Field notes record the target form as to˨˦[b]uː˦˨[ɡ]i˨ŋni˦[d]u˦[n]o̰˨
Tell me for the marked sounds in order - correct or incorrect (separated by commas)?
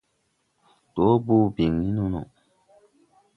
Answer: correct, incorrect, incorrect, correct